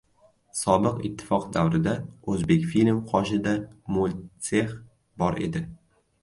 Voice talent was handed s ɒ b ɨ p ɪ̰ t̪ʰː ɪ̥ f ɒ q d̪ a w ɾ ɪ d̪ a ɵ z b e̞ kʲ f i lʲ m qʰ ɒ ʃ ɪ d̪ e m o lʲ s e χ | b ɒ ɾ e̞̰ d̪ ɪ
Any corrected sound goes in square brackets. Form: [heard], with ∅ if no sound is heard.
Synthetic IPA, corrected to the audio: s ɒ b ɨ [q] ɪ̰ t̪ʰː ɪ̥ f ɒ q d̪ a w ɾ ɪ d̪ a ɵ z b e̞ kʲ f i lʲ m qʰ ɒ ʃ ɪ d̪ [a] m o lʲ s e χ | b ɒ ɾ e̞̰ d̪ ɪ